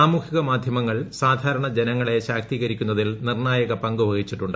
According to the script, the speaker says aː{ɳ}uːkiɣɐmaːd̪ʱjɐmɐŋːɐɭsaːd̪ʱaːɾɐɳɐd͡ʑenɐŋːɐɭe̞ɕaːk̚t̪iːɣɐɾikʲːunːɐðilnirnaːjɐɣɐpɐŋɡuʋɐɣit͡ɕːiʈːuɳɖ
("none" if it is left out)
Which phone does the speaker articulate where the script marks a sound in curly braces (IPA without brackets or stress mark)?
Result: m